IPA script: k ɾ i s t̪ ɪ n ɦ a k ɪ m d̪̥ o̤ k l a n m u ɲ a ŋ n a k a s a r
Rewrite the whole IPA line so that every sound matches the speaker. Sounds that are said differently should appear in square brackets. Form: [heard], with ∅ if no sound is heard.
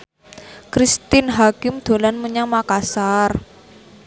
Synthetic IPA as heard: k ɾ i s t̪ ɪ n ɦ a k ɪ m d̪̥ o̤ [∅] l a n m u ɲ a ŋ [m] a k a s a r